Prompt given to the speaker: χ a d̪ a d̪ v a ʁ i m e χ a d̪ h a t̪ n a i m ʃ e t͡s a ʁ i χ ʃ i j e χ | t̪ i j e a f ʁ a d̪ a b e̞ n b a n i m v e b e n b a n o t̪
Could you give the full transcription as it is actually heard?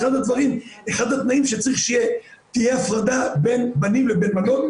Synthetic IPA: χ a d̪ a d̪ v a ʁ i m e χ a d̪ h a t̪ n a i m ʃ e t͡s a ʁ i χ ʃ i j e | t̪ i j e a f ʁ a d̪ a b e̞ n b a n i m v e b e n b a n o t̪